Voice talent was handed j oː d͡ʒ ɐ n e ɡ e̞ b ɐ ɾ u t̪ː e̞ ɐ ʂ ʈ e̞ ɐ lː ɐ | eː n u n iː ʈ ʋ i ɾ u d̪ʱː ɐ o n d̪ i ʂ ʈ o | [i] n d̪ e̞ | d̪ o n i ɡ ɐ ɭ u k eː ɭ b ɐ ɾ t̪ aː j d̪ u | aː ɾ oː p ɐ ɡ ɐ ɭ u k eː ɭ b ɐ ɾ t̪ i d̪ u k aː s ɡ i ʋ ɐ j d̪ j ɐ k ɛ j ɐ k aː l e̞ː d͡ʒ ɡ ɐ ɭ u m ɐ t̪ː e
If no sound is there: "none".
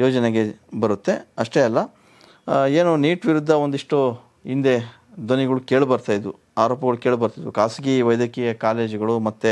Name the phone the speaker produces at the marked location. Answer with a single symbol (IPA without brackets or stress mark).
i